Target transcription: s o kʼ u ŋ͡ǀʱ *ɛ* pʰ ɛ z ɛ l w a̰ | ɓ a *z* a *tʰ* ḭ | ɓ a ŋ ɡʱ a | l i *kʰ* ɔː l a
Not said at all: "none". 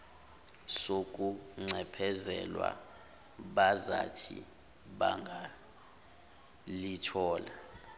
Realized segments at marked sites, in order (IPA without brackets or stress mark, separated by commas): ɛ, z, tʰ, tʰ